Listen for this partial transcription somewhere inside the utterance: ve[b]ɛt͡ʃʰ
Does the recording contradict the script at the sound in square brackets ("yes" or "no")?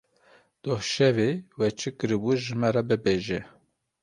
yes